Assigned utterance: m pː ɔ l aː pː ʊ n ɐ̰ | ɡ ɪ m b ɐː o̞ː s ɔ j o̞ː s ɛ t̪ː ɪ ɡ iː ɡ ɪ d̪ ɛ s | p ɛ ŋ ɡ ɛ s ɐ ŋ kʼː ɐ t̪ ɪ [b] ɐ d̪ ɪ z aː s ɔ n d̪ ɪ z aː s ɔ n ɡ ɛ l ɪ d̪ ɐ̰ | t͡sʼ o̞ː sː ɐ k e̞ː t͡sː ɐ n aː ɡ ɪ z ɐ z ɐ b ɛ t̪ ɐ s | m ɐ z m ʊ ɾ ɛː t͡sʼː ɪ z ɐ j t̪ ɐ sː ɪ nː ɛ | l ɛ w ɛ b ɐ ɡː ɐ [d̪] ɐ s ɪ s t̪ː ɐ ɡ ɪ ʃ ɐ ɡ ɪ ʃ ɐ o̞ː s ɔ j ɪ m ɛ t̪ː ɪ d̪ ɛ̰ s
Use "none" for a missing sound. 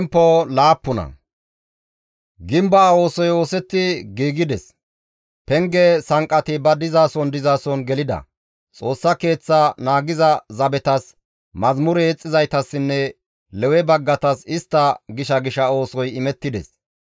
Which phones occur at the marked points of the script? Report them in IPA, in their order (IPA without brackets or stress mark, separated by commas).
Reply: b, t̪